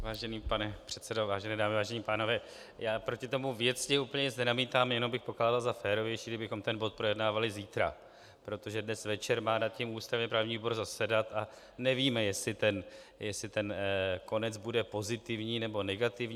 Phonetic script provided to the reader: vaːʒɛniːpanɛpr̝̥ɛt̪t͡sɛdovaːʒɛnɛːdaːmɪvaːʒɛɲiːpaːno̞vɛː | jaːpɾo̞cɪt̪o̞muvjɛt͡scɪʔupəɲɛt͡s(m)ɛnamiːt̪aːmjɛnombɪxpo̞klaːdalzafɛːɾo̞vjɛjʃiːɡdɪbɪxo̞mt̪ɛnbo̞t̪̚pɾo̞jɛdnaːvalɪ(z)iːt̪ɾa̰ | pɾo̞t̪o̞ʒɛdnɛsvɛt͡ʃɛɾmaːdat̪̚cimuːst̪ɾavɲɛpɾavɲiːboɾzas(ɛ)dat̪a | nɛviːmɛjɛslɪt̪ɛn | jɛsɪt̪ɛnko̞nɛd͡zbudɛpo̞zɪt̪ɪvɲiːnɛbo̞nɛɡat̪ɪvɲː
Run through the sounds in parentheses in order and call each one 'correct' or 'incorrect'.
incorrect, correct, correct

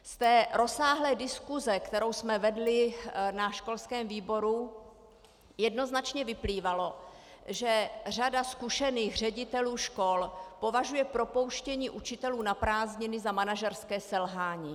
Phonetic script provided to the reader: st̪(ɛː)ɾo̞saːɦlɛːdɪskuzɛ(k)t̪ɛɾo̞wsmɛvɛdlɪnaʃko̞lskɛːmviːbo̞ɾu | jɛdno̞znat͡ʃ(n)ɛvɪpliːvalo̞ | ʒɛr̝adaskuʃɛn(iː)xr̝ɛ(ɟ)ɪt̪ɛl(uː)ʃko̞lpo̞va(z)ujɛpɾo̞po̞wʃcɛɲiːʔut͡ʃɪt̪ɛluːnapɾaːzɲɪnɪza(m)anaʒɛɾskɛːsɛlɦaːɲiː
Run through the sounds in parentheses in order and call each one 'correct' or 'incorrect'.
correct, correct, incorrect, correct, correct, correct, incorrect, correct

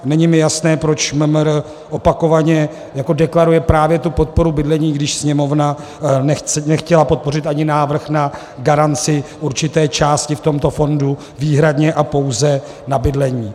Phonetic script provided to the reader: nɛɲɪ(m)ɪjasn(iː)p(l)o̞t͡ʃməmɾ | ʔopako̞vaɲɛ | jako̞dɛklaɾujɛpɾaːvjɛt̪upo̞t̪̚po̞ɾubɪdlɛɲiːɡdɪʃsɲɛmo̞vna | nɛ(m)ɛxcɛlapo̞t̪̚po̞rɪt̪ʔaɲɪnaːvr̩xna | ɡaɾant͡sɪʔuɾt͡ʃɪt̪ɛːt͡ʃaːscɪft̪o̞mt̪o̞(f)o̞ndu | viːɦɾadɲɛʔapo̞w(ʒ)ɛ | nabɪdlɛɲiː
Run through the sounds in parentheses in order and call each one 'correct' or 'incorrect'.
correct, incorrect, incorrect, incorrect, correct, incorrect

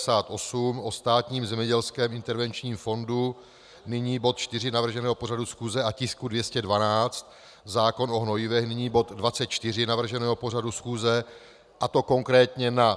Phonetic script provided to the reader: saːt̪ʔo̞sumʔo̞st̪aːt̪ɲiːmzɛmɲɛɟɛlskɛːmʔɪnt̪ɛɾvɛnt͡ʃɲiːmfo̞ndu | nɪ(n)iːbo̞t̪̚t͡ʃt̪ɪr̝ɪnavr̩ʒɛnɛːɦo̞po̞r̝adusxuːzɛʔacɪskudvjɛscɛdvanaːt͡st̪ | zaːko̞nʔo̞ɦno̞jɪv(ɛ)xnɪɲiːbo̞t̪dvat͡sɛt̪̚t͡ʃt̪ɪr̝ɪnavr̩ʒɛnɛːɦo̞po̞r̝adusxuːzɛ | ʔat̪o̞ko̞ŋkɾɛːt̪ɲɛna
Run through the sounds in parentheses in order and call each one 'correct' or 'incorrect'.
incorrect, correct

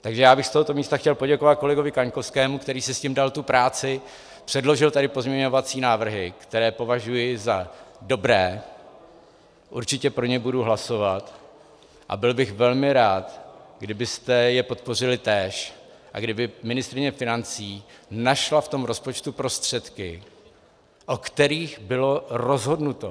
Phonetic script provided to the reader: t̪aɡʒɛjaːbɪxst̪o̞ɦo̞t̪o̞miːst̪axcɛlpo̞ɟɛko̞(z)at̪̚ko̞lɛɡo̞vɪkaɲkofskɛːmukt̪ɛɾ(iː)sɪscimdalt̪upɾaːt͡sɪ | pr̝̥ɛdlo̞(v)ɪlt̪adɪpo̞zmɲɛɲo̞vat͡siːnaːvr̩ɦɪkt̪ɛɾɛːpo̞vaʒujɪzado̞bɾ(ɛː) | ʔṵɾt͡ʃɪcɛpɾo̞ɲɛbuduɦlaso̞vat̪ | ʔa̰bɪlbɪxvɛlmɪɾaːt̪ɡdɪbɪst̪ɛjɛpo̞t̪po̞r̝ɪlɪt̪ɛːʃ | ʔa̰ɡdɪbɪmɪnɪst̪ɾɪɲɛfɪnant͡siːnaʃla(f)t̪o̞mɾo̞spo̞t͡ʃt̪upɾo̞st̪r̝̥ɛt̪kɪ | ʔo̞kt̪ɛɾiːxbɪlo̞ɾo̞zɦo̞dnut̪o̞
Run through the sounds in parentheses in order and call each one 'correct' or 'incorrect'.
incorrect, correct, incorrect, correct, correct

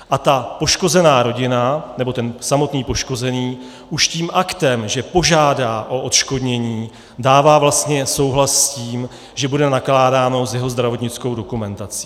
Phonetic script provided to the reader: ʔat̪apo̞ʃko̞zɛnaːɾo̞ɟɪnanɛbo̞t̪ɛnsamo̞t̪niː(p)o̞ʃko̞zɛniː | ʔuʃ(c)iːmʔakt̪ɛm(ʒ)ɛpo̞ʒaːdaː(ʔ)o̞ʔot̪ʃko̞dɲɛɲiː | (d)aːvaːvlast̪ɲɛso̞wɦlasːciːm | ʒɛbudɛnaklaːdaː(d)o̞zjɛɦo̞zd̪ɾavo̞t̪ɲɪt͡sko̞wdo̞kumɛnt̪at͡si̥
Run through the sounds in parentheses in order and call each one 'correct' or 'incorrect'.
correct, correct, correct, correct, correct, incorrect

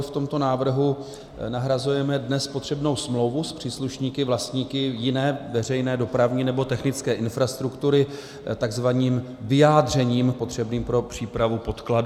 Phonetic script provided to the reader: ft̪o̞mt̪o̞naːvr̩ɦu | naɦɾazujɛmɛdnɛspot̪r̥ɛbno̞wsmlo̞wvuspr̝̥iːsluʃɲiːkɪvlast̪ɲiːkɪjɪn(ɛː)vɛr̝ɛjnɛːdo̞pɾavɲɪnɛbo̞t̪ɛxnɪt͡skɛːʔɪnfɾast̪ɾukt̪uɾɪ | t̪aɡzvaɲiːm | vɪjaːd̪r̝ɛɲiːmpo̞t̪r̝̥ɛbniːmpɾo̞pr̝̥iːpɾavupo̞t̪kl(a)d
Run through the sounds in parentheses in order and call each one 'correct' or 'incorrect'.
correct, correct

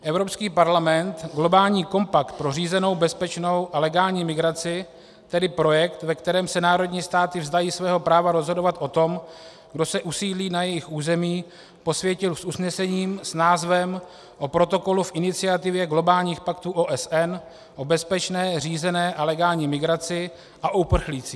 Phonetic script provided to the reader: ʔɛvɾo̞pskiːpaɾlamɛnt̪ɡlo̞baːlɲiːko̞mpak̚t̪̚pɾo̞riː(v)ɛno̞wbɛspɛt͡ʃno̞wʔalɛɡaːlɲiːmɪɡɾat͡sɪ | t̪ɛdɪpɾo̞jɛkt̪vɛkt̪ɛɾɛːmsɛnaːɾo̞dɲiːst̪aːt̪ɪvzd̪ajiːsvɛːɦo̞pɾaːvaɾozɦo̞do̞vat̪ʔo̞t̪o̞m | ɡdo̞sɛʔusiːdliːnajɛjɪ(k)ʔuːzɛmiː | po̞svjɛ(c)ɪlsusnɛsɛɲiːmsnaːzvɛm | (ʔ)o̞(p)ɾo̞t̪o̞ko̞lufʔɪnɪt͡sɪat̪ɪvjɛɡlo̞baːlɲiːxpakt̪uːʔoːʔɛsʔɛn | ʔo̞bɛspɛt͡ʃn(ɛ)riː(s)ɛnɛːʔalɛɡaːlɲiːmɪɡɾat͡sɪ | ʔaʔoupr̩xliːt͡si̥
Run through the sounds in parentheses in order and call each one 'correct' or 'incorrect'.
incorrect, incorrect, correct, correct, correct, incorrect, incorrect

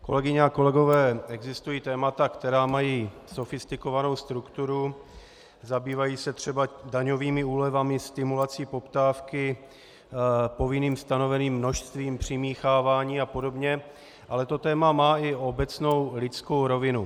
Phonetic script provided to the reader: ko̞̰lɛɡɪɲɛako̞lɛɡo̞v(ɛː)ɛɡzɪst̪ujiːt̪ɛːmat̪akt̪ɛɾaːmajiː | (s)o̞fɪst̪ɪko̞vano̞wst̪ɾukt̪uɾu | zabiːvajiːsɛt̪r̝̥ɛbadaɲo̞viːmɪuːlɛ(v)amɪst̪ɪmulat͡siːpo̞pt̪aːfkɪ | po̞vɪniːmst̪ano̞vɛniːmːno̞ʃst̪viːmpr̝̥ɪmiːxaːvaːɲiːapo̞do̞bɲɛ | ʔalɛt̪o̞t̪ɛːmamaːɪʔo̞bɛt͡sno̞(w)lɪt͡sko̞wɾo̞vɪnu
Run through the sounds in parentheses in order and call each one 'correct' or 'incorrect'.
correct, correct, correct, correct

